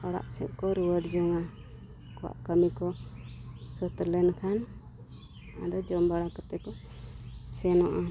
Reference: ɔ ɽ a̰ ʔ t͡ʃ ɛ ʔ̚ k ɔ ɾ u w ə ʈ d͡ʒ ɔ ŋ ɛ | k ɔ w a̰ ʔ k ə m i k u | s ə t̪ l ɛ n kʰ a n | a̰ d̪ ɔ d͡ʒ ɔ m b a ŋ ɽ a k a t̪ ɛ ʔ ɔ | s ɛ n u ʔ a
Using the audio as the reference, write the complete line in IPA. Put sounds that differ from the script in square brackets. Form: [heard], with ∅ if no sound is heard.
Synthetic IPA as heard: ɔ ɽ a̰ ʔ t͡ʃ ɛ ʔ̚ k ɔ ɾ u w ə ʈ d͡ʒ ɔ ŋ [a] | k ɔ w a̰ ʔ k ə m i k [ɔ] | s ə t̪ l ɛ n kʰ a n | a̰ d̪ ɔ d͡ʒ ɔ m b a [∅] ɽ a k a t̪ ɛ [k] ɔ | s ɛ n [ɔ] ʔ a